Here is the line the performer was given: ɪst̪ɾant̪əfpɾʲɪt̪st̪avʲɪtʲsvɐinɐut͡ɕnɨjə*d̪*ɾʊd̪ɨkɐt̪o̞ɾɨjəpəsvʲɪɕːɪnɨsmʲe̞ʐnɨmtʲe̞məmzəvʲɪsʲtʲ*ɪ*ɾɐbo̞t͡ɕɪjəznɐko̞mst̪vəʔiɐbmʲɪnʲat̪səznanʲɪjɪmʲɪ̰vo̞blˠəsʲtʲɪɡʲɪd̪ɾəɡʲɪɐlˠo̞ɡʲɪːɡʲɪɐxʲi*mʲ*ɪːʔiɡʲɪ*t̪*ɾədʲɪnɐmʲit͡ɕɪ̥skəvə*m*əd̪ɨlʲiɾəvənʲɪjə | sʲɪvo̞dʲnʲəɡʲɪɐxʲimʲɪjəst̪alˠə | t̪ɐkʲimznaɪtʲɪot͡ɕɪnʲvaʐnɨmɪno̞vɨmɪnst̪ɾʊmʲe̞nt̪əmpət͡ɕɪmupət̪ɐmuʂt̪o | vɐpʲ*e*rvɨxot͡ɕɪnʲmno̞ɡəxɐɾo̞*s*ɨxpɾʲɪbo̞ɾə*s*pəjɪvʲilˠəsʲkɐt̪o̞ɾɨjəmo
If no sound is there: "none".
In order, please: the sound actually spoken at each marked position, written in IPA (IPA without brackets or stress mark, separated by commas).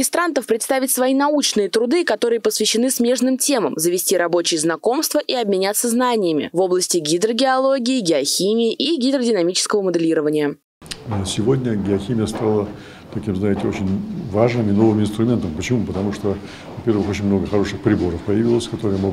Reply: t̪, i, mʲ, d̪, m, e, ʂ, f